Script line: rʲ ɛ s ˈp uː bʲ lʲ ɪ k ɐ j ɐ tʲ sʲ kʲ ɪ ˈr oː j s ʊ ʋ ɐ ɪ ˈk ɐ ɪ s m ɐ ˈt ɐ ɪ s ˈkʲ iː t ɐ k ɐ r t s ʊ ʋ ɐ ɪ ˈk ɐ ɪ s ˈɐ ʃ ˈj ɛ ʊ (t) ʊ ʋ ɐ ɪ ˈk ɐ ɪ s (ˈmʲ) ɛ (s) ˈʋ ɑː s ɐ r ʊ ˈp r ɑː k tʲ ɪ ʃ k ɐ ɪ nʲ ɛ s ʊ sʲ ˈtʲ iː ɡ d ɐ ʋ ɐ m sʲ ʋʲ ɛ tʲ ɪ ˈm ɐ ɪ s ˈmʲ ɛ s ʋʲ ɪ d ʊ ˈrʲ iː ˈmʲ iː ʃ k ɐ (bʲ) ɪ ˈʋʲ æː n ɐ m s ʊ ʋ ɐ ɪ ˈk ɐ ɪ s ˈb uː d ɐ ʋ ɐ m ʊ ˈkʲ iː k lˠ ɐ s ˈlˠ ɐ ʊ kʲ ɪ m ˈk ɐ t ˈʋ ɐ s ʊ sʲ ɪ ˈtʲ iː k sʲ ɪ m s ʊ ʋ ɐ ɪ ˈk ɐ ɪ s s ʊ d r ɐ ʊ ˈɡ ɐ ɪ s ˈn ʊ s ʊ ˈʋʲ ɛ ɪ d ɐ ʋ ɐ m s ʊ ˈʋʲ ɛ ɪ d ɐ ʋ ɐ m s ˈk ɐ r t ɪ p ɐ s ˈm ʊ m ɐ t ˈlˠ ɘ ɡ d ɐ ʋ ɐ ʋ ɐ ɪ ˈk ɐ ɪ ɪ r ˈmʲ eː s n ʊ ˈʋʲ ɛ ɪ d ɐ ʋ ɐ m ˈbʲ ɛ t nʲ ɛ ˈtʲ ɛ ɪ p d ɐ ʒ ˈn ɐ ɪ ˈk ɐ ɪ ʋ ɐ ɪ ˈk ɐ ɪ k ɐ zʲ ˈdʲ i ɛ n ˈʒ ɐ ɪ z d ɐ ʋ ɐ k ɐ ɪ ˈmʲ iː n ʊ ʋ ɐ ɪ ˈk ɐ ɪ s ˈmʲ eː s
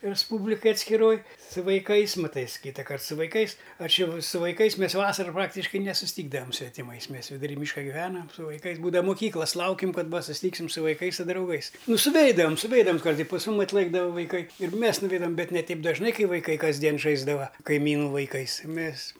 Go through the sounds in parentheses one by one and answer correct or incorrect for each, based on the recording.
incorrect: s, correct, correct, incorrect: ɡʲ

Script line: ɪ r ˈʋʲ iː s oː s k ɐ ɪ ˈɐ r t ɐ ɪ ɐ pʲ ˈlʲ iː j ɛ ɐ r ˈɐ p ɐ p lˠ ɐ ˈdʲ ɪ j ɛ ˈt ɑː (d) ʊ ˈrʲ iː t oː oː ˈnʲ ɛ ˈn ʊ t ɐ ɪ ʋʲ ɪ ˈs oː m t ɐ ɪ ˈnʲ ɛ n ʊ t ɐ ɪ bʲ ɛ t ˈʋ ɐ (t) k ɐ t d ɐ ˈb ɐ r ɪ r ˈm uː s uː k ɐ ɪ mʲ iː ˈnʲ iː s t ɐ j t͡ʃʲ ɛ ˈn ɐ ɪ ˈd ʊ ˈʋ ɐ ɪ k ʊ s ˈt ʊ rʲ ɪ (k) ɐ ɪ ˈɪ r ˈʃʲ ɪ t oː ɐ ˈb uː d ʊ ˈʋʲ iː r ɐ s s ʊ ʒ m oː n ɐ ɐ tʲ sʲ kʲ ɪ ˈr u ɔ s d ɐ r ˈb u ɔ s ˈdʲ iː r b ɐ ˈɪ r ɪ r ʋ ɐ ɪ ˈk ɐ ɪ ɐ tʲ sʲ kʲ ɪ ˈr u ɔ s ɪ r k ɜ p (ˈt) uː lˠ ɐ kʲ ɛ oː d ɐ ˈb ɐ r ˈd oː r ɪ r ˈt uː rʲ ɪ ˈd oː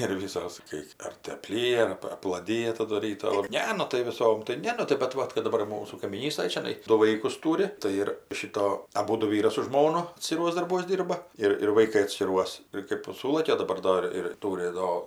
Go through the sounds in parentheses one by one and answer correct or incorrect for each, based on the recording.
correct, correct, incorrect: t, incorrect: s

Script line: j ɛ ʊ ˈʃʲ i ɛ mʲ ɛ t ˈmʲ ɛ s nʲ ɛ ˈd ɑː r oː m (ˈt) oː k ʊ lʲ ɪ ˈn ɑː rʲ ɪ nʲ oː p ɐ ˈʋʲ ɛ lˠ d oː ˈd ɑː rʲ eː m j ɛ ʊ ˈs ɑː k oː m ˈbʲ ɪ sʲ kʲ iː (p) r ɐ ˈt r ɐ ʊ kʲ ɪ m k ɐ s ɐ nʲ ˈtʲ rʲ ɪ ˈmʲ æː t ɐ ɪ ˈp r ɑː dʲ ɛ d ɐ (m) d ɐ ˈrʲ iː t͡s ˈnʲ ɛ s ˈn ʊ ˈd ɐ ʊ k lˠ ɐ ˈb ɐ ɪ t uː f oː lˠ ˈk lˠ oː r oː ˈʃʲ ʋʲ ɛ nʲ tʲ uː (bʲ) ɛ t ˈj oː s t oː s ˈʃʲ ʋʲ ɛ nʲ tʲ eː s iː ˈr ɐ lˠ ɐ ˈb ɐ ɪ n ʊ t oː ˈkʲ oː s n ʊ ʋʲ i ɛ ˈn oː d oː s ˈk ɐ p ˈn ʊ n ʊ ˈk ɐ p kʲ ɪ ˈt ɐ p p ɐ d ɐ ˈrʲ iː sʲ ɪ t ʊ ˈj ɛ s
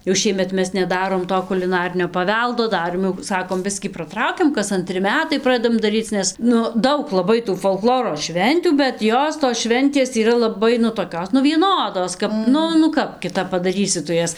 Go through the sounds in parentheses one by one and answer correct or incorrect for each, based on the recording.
correct, correct, correct, correct

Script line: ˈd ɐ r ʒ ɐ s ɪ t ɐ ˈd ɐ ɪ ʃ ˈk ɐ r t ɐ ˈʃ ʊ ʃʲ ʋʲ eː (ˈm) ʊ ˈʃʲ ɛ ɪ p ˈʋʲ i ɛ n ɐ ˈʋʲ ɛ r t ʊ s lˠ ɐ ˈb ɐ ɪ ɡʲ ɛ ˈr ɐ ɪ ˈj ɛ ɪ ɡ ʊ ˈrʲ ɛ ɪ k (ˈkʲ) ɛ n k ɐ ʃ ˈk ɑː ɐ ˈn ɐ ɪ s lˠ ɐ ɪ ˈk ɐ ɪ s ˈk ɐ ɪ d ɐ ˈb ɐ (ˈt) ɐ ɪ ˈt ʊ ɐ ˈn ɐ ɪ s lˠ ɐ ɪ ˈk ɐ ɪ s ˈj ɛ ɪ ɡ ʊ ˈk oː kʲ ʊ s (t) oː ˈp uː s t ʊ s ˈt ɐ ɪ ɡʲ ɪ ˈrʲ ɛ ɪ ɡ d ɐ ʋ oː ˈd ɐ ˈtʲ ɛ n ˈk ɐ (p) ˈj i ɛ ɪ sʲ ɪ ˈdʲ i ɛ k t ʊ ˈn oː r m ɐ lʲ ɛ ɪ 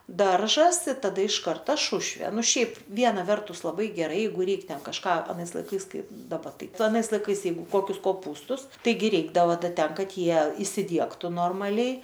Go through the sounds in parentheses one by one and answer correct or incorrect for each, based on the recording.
incorrect: n, incorrect: tʲ, correct, incorrect: k, incorrect: t

